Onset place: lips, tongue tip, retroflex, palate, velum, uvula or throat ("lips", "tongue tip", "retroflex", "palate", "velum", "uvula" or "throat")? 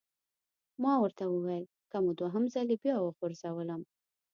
lips